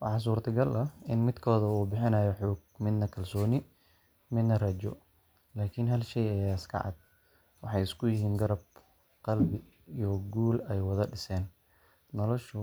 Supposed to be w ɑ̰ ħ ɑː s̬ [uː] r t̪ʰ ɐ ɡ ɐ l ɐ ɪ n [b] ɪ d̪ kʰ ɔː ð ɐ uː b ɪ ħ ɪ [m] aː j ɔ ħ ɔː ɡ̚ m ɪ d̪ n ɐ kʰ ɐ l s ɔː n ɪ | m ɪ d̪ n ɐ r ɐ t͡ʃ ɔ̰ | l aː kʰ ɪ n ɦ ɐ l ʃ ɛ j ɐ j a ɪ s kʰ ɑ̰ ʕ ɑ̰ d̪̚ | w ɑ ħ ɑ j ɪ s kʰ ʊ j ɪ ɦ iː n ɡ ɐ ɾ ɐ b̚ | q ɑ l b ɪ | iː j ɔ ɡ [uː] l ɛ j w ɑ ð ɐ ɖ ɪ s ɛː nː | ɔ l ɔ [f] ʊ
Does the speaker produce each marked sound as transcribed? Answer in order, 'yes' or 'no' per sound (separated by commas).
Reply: yes, no, no, yes, no